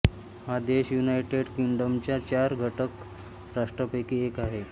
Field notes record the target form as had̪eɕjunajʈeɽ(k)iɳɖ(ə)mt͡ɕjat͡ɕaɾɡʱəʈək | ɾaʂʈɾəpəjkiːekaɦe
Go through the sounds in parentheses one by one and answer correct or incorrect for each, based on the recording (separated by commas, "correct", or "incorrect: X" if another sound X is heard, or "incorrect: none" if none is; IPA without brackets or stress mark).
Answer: correct, correct